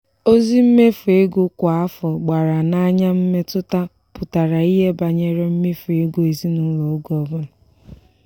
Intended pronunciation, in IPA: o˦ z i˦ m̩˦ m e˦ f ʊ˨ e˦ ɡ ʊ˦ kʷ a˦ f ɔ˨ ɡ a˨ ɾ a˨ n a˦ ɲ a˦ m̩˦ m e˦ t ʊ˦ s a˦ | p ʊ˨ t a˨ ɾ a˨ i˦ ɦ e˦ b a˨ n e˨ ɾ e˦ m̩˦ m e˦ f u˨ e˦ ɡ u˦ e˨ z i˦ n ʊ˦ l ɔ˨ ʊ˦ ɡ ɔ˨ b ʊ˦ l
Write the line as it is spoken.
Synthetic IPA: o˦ z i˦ m̩˦ m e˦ f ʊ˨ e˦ ɡ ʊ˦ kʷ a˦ f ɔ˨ ɡ͡b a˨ ɾ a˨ n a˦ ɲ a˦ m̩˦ m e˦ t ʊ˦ t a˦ | p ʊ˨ t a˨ ɾ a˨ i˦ ɦ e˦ b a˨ ɲ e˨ ɾ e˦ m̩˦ m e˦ f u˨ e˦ ɡ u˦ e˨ z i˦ n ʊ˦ l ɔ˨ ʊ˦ ɡ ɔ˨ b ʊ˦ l